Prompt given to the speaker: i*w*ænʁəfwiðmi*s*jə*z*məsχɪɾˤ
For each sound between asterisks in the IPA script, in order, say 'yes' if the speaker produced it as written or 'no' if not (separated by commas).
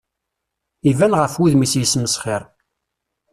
no, yes, no